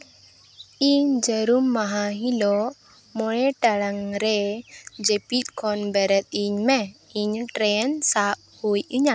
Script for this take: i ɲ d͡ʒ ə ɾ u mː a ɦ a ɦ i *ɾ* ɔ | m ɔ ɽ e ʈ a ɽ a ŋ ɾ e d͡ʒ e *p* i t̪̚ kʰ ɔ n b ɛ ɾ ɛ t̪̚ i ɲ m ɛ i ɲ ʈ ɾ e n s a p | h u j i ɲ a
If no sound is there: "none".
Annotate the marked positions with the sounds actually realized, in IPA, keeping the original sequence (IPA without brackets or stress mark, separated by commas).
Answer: l, p